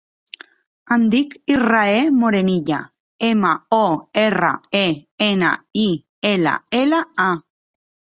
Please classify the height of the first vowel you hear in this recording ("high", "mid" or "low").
low